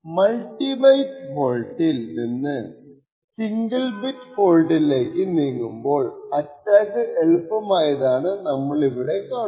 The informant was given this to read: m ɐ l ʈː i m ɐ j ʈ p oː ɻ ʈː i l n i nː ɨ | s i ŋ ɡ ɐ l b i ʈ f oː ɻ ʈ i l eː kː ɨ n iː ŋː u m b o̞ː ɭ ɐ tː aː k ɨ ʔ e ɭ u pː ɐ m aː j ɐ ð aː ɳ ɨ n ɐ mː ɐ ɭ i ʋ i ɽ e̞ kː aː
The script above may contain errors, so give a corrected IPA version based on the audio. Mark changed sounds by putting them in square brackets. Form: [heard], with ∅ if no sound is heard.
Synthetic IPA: m ɐ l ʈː i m ɐ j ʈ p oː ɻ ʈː i l n i nː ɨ | s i ŋ ɡ ɐ l b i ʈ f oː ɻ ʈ i l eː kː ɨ n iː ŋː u m b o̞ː ɭ ɐ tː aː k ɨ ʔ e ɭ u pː ɐ m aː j ɐ ð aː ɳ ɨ n ɐ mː ɐ ɭ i ʋ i ɽ e̞ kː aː